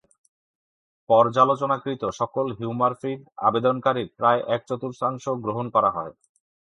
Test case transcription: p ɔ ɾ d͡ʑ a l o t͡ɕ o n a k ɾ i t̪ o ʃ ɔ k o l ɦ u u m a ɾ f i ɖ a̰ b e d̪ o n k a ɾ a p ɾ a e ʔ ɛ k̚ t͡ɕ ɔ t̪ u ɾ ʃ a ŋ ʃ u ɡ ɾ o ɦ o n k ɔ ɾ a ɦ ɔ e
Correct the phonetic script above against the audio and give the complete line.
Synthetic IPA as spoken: p ɔ ɾ d͡ʑ a l o t͡ɕ o n a k ɾ i t̪ o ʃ ɔ k o l ɦ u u m a ɾ f i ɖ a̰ b e d̪ o n k a ɾ i p ɾ a e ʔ ɛ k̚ t͡ɕ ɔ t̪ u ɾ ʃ a ŋ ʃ o ɡ ɾ o ɦ o n k ɔ ɾ a ɦ ɔ e